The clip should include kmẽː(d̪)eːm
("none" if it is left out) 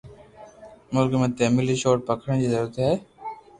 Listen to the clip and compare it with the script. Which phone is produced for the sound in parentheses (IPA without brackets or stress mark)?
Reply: t̪